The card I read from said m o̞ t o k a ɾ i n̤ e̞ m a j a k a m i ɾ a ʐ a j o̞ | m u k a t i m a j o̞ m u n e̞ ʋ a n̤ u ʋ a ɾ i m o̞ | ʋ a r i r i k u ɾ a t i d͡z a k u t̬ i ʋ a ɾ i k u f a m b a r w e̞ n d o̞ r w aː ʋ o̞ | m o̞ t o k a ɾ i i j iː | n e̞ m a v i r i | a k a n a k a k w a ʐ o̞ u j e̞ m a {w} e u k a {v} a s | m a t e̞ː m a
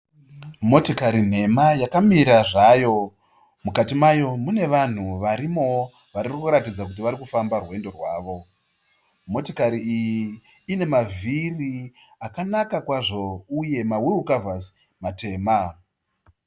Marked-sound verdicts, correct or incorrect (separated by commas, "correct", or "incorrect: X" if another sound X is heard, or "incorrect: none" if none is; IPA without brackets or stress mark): correct, correct